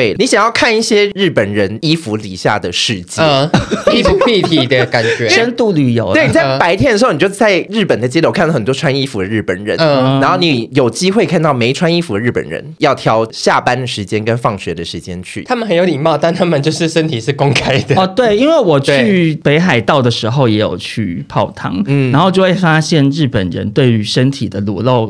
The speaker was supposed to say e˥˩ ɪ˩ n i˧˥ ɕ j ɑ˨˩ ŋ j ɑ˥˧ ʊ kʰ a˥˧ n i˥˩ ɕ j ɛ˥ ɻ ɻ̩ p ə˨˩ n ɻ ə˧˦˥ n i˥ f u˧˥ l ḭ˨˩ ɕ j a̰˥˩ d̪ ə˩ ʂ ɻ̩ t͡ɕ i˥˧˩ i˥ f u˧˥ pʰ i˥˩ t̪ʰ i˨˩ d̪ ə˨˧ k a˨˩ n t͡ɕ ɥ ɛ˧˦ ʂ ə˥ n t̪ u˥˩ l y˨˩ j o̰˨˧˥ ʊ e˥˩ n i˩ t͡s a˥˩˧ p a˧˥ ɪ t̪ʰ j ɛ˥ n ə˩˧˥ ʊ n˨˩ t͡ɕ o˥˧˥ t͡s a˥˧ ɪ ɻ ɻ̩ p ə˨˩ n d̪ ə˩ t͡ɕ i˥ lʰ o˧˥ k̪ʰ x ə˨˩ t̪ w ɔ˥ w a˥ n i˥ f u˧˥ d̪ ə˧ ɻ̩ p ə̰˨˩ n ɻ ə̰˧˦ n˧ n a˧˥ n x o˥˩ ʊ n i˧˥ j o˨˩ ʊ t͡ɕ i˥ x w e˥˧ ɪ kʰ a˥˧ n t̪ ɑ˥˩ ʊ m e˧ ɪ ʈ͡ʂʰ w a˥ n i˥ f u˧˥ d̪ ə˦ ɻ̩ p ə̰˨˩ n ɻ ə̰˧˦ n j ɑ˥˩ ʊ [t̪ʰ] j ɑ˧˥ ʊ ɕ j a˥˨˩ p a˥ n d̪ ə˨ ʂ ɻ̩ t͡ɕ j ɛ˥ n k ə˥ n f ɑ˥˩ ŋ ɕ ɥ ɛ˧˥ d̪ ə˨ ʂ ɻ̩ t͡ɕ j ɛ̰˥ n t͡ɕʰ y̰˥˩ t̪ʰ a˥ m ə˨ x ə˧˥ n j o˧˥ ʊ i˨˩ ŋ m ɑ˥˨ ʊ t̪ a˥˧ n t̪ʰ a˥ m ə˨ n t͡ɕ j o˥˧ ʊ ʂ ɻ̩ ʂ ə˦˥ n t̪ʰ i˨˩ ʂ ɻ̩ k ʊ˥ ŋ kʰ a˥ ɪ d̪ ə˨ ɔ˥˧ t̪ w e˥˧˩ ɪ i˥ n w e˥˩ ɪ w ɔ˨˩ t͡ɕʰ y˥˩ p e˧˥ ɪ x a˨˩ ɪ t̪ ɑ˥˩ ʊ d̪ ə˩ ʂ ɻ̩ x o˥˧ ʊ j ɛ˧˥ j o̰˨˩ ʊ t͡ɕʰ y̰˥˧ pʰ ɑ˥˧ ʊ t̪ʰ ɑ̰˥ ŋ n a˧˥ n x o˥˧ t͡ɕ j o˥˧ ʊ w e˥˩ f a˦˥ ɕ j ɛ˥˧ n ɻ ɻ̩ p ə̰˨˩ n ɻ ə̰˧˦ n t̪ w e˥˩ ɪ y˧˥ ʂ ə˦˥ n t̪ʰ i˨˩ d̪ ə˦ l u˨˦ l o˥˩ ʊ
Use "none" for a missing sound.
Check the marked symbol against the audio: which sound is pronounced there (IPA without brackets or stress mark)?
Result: t̪ʰ